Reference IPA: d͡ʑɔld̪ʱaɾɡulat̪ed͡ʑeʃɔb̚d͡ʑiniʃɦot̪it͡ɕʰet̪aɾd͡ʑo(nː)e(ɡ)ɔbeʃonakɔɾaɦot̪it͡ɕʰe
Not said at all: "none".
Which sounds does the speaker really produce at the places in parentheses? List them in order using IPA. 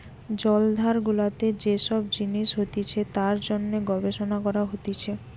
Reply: nː, ɡ

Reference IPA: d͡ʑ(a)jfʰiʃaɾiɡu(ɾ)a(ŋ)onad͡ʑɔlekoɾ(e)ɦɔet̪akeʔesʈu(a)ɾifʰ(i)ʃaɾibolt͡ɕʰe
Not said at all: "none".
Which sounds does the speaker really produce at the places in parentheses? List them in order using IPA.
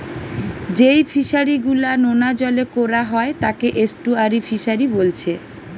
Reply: e, l, n, a, a, i

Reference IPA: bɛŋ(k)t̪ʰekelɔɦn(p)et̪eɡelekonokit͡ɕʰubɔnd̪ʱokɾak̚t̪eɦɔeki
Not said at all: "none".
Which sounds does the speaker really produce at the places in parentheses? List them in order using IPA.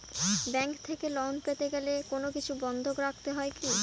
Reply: k, p

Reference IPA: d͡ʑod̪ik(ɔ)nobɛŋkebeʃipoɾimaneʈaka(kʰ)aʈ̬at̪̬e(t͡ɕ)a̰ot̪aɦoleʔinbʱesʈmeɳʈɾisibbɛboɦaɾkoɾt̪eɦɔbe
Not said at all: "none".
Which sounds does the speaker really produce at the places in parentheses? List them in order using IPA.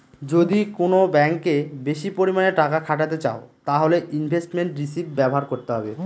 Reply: o, kʰ, t͡ɕ

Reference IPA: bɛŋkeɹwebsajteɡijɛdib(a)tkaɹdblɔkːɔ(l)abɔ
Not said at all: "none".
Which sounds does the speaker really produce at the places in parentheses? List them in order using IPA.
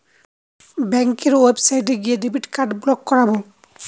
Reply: i, ɹ

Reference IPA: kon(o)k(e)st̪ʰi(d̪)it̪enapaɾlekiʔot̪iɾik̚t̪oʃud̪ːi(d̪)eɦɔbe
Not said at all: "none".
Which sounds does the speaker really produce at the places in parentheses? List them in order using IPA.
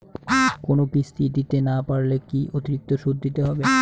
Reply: o, i, d̪, t̪

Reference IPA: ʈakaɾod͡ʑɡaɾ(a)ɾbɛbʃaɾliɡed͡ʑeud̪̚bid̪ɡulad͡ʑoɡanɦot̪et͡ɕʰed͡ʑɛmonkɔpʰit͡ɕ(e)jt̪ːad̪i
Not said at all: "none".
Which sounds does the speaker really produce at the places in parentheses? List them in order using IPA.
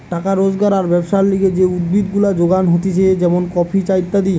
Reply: a, a

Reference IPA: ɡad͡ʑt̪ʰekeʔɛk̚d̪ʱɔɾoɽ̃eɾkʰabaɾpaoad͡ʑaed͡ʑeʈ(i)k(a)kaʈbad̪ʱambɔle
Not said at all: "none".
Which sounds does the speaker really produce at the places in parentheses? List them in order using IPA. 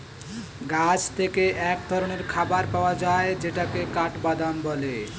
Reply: a, e

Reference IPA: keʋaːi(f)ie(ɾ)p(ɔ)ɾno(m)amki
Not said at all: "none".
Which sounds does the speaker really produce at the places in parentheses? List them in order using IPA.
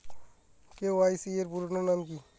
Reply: s, ɾ, u, n

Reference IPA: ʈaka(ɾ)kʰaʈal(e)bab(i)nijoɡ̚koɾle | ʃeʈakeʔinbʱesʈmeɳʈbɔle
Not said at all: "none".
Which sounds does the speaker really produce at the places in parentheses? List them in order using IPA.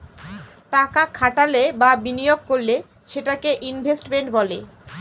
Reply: none, e, i

